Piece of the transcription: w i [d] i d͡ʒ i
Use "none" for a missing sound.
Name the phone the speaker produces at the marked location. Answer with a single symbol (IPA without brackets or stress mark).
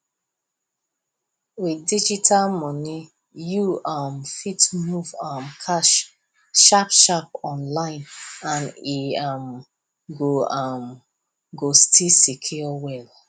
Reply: d